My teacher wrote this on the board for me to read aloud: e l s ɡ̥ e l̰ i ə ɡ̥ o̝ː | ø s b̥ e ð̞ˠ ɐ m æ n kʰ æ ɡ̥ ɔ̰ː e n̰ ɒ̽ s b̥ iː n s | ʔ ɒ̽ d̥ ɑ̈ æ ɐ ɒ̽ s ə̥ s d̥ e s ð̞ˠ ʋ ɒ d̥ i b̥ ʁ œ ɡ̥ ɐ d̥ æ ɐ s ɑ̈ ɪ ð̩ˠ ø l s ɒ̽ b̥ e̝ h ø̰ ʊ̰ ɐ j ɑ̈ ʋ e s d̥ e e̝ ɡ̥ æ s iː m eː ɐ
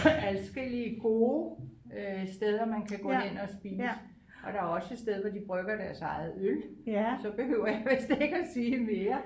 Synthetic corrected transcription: æ l s ɡ̥ e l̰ i ə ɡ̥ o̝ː | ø s d̥ e ð̞ˠ ɐ m æ n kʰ æ ɡ̥ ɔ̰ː e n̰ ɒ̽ s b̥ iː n s | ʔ ɒ̽ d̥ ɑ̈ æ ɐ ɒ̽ s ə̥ s d̥ e ð̞ˠ ʋ ɒ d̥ i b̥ ʁ œ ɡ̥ ɐ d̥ æ ɐ s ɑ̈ ɪ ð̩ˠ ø l s ɒ̽ b̥ e̝ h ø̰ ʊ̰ ɐ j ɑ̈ ʋ e s d̥ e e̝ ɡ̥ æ s iː m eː ɐ